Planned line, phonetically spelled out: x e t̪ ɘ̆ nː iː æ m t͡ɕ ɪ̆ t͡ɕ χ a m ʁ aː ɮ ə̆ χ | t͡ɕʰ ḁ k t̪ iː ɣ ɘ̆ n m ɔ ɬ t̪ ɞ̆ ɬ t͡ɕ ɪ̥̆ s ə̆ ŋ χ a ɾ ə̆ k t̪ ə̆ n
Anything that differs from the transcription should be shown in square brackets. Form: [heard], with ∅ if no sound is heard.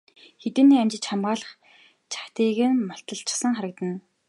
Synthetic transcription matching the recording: x e t̪ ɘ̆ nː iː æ m t͡ɕ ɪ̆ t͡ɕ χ a m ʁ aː ɮ ə̆ χ | t͡ɕʰ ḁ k t̪ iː ɣ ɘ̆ n m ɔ ɬ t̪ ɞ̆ ɬ t͡ɕ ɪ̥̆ s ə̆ ŋ χ a ɾ ə̆ k t̪ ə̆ n